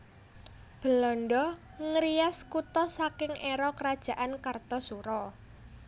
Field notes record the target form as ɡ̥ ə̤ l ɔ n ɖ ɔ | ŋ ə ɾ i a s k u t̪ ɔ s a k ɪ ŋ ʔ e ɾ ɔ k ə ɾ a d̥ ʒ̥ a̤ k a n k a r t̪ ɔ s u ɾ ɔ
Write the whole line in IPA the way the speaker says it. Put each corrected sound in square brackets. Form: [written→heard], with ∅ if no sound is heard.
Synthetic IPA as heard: [ɡ̥→b̥] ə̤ l ɔ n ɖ ɔ | ŋ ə ɾ i a s k u t̪ ɔ s a k ɪ ŋ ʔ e ɾ ɔ k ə ɾ a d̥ ʒ̥ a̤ [k→ʔ] a n k a r t̪ ɔ s u ɾ ɔ